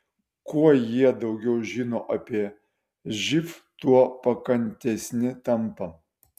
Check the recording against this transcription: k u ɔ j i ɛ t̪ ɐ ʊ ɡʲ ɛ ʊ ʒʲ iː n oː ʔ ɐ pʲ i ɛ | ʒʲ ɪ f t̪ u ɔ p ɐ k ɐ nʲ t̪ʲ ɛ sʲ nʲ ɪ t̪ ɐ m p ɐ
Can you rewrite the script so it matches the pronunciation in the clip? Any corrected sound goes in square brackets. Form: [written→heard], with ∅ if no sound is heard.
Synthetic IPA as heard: k u ɔ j i ɛ [t̪→d̪] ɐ ʊ ɡʲ ɛ ʊ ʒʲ iː n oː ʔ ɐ pʲ i ɛ | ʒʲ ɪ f t̪ u ɔ p ɐ k ɐ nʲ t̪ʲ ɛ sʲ nʲ ɪ t̪ ɐ m p ɐ

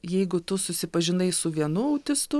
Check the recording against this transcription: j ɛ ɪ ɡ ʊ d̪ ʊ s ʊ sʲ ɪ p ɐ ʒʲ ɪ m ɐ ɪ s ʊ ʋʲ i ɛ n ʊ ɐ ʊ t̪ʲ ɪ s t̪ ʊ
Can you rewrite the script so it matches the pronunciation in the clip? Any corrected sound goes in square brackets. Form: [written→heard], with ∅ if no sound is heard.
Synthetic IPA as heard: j ɛ ɪ ɡ ʊ [d̪→t̪] ʊ s ʊ sʲ ɪ p ɐ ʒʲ ɪ [m→n] ɐ ɪ s ʊ ʋʲ i ɛ n ʊ ɐ ʊ t̪ʲ ɪ s t̪ ʊ

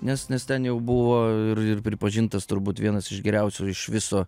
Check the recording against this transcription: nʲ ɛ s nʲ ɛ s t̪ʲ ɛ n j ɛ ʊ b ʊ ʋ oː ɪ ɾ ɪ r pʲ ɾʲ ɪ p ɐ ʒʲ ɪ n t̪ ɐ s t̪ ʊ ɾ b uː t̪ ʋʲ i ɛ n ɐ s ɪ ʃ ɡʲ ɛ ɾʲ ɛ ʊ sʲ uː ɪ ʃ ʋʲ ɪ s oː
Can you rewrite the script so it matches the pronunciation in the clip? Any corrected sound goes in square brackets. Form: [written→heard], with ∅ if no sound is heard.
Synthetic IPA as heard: nʲ ɛ s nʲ ɛ s t̪ʲ ɛ n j ɛ ʊ b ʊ ʋ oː ɪ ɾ ɪ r pʲ ɾʲ ɪ p ɐ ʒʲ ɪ n t̪ ɐ s t̪ ʊ ɾ b uː t̪ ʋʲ i ɛ n ɐ s ɪ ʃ ɡʲ ɛ ɾʲ ɛ ʊ sʲ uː ɪ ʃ ʋʲ ɪ s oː

